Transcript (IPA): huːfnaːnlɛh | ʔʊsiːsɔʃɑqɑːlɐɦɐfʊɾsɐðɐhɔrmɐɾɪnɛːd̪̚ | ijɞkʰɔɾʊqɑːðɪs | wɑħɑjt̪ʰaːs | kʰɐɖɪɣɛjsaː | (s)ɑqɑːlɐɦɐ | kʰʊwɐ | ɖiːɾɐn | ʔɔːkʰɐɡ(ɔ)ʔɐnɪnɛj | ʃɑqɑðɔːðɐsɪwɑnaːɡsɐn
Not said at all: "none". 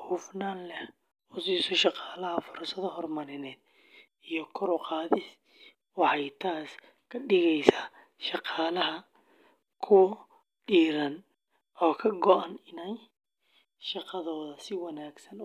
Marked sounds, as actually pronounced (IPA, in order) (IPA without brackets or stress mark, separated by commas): ʃ, ɔ